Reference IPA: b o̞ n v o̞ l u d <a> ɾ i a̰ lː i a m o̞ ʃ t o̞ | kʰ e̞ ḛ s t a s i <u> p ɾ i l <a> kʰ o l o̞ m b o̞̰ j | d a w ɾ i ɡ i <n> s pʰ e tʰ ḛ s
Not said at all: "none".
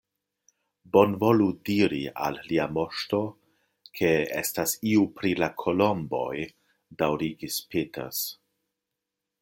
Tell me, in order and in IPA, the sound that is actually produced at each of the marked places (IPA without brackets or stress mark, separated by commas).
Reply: i, u, a, none